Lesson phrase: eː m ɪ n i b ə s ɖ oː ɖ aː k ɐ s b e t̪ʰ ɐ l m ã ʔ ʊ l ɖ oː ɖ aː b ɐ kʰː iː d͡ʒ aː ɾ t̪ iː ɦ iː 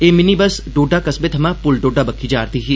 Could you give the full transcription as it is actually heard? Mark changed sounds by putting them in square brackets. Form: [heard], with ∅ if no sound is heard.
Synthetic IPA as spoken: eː m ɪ n i b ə s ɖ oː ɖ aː k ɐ s b e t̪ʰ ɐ [∅] m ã [p] ʊ l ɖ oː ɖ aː b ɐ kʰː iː d͡ʒ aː ɾ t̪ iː ɦ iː